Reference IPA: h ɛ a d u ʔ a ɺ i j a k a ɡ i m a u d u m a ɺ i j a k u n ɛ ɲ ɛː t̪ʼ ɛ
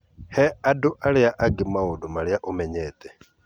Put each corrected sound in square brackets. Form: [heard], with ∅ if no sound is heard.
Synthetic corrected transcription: h ɛ a d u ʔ a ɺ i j a [ʔ] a ɡ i m a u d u m a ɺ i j a [ʔ] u [m] ɛ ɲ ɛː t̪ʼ ɛ